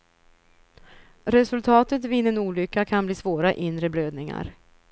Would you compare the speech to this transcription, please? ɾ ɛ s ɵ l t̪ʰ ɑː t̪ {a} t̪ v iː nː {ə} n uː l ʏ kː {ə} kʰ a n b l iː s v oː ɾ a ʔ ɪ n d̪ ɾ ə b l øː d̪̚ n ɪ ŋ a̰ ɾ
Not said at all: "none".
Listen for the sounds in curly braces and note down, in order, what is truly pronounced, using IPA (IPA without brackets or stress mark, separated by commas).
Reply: ə, ə, a